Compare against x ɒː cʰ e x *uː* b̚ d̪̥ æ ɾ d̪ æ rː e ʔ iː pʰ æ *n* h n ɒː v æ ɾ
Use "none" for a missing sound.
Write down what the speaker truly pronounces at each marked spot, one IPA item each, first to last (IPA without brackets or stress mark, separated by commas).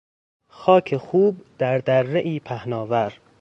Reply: uː, none